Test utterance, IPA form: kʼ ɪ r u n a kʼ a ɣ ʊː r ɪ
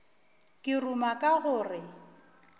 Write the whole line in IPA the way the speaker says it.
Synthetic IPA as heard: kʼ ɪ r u m a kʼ a ɣ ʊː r ɪ